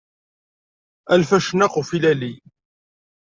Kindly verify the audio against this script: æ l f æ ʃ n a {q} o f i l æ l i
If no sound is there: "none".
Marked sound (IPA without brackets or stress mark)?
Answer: q